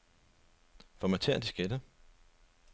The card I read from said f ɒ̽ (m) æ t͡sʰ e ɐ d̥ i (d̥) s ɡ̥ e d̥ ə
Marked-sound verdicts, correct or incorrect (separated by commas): correct, incorrect